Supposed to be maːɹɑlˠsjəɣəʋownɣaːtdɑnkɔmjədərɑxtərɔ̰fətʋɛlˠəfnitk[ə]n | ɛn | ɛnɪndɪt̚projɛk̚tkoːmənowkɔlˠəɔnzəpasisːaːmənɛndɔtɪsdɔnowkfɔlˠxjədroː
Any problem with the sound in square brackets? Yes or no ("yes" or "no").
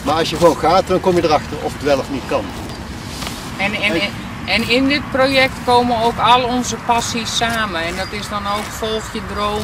yes